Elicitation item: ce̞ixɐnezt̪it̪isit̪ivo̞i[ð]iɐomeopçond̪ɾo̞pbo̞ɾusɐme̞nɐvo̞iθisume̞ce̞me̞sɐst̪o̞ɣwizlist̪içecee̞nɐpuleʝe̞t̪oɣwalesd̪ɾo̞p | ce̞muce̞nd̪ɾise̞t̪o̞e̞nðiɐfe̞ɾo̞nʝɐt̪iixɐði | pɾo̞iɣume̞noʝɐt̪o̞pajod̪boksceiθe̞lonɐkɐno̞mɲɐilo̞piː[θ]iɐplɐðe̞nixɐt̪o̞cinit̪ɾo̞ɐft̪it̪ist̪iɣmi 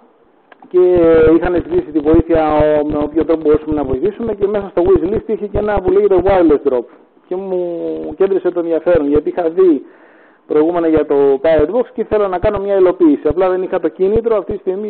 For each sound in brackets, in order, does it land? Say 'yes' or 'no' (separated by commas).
no, no